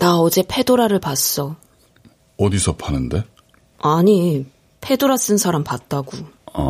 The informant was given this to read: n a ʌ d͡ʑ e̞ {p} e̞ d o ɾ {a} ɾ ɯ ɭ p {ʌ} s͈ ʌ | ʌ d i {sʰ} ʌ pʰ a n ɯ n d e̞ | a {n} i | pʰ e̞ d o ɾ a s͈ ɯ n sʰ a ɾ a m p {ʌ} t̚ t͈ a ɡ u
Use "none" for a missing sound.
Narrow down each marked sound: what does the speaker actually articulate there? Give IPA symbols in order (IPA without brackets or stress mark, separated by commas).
pʰ, a, a, sʰ, ɲ, a